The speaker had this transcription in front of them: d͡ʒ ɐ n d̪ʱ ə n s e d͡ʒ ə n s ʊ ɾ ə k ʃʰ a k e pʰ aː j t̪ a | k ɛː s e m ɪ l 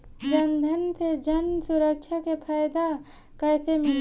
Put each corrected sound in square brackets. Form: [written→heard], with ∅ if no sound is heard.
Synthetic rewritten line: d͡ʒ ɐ n d̪ʱ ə n s e d͡ʒ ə n s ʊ ɾ ə k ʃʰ a k e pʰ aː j [t̪→d̪] a | k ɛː s e m ɪ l